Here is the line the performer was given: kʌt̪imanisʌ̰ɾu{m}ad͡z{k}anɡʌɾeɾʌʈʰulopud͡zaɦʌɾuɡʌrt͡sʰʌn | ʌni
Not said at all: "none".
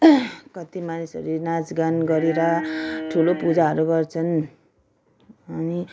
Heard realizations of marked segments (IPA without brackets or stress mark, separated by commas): n, ɡ